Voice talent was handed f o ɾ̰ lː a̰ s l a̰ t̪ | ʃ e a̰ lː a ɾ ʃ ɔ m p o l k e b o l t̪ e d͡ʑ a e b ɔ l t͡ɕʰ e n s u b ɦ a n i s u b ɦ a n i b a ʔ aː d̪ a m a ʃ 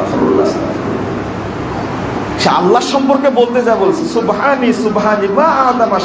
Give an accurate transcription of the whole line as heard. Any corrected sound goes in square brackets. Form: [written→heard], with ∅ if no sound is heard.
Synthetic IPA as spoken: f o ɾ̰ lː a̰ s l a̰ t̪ | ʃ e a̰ lː a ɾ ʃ ɔ m p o [l→ɾ] k e b o l t̪ e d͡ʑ a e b [ɔ→o] l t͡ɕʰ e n s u b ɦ a n i s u b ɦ a n i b a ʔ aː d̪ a m a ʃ